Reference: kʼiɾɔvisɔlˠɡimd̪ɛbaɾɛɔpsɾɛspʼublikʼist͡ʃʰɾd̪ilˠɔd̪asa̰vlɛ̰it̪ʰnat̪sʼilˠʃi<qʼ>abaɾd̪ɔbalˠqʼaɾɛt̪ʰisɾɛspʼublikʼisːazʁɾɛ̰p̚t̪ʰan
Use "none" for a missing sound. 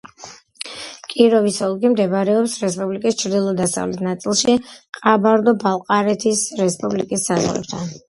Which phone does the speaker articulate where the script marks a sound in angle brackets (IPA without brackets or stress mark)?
qʼ